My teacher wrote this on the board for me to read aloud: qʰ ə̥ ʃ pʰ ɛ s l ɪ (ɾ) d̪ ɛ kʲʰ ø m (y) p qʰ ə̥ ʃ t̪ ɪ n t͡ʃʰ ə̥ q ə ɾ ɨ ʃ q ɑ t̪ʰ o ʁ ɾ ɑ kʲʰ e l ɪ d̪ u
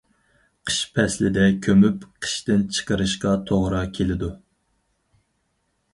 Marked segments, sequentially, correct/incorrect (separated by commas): incorrect, correct